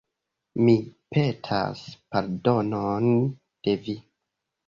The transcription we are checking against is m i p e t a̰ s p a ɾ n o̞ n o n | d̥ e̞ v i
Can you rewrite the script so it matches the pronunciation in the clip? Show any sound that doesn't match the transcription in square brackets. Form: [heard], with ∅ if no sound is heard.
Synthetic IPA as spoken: m i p e [tʰ] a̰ s p a ɾ [d] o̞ n o n | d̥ e̞ v i